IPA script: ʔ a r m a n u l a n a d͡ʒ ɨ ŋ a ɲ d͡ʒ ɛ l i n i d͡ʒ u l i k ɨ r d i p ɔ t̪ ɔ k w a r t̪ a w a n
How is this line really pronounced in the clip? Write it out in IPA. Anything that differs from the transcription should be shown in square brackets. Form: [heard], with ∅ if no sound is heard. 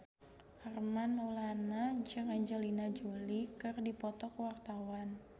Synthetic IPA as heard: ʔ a r m a n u l a n a d͡ʒ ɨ ŋ a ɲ d͡ʒ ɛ l i n [a] d͡ʒ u l i k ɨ r d i p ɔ t̪ ɔ k w a r t̪ a w a n